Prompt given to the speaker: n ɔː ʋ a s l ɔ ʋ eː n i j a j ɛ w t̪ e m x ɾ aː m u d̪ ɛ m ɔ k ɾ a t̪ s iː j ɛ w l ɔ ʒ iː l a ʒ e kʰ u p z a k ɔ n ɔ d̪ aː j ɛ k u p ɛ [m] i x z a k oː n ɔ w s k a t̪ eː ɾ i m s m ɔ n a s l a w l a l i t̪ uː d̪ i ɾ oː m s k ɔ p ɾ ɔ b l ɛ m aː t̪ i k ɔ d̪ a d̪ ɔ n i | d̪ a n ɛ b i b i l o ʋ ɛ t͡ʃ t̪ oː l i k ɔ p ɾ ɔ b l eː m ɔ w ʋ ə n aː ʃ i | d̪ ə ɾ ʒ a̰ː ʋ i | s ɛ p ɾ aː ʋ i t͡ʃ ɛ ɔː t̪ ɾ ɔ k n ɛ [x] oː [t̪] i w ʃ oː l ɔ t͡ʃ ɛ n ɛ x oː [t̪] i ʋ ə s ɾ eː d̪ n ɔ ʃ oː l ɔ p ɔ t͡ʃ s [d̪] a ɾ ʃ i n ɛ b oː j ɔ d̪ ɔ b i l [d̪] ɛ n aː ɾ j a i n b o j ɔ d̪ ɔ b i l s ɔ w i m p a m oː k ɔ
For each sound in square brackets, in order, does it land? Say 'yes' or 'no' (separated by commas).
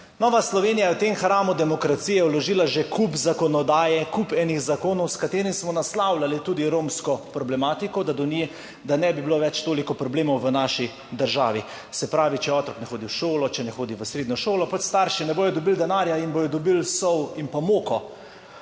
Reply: no, yes, no, no, no, yes